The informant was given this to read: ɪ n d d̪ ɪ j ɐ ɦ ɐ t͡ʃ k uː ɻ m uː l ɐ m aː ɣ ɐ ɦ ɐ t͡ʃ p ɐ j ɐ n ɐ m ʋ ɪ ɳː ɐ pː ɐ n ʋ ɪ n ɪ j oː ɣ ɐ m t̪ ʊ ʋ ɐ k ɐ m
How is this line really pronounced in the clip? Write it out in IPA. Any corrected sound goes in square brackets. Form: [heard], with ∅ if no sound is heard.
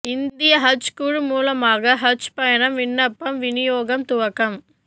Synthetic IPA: ɪ n d d̪ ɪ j ɐ ɦ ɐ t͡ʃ k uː ɻ m uː l ɐ m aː ɣ ɐ ɦ ɐ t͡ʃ p ɐ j ɐ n ɐ m ʋ ɪ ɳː ɐ pː ɐ [m] ʋ ɪ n ɪ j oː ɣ ɐ m t̪ ʊ ʋ ɐ k ɐ m

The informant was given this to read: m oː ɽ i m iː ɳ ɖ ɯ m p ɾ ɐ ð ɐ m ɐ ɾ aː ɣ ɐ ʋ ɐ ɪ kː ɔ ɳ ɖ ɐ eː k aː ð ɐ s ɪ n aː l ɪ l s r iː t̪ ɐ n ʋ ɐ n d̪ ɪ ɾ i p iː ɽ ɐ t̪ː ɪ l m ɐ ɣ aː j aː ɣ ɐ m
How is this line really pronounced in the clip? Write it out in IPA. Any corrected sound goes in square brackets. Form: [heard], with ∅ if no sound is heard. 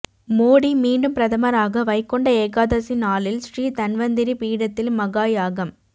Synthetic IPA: m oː ɽ i m iː ɳ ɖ ɯ m p ɾ ɐ ð ɐ m ɐ ɾ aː ɣ ɐ ʋ ɐ ɪ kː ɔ ɳ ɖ ɐ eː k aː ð ɐ s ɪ n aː l ɪ l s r iː t̪ ɐ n ʋ ɐ n d̪ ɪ ɾ i p iː ɽ ɐ t̪ː ɪ l m ɐ ɣ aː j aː ɣ ɐ m

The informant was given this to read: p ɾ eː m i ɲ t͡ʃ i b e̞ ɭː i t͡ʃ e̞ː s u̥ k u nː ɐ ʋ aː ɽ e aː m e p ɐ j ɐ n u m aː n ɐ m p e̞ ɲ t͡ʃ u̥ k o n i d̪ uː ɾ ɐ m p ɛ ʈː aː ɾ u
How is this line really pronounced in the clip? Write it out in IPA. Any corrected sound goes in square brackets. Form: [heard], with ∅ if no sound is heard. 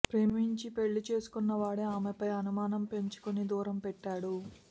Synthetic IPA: p ɾ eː m i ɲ t͡ʃ i [p] e̞ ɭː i t͡ʃ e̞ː s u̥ k u nː ɐ ʋ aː ɽ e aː m e p ɐ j ɐ n u m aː n ɐ m p e̞ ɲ t͡ʃ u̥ k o n i d̪ uː ɾ ɐ m p ɛ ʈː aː [ɽ] u

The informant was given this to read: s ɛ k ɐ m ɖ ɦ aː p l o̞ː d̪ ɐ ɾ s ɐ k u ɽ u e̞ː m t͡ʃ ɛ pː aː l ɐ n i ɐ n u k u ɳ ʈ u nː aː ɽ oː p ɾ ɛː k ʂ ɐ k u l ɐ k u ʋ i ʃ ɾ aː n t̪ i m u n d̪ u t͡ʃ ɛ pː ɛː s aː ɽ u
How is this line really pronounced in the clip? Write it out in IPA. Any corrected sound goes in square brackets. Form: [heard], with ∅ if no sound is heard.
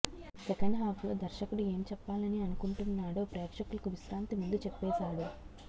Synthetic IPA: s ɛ k ɐ [ɳ] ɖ ɦ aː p l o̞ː d̪ ɐ ɾ [ʃ] ɐ k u ɽ u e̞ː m t͡ʃ ɛ pː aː l ɐ n i ɐ n u k u ɳ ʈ u nː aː ɽ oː p ɾ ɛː k ʂ ɐ k u l ɐ k u ʋ i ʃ ɾ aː n t̪ i m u n d̪ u t͡ʃ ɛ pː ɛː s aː ɽ u

